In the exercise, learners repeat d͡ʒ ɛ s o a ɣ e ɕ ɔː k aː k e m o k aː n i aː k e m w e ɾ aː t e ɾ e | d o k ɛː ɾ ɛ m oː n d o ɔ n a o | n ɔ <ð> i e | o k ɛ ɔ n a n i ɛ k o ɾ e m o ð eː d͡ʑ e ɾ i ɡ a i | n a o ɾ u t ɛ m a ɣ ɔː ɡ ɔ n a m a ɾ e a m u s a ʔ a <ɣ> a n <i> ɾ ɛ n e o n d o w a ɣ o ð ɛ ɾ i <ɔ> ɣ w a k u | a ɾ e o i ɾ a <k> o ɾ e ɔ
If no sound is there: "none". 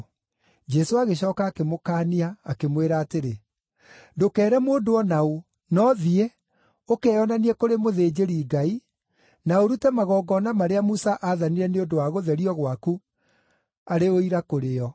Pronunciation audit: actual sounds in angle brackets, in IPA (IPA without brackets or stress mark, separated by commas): ð, ð, i, ɔ, k